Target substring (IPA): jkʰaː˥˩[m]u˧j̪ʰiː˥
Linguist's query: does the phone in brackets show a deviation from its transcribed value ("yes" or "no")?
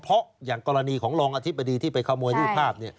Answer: no